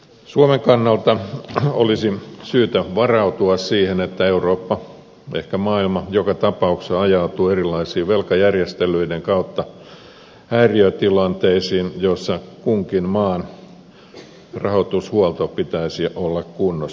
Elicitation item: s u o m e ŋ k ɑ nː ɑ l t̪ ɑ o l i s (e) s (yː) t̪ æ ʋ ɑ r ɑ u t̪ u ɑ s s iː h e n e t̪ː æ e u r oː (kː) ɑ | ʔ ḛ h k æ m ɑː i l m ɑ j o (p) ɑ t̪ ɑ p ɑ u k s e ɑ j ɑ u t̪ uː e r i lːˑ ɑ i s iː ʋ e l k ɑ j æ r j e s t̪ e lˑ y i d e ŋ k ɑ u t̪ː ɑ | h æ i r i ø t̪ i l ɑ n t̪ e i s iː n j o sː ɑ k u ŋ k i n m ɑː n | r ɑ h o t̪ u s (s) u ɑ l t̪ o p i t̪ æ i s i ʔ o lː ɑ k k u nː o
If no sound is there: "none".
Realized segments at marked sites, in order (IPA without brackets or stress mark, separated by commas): i, yː, pː, k, h